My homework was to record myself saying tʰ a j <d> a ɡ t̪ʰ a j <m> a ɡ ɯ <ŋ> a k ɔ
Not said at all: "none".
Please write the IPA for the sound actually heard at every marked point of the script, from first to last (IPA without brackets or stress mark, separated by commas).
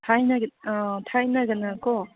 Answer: n, n, n